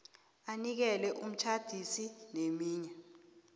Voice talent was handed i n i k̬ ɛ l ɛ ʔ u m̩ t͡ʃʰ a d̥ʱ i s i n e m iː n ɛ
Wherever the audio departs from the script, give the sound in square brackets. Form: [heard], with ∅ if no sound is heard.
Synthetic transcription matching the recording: [a] n i k̬ ɛ l ɛ ʔ u m̩ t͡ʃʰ a d̥ʱ i s i n e m iː [ɲ] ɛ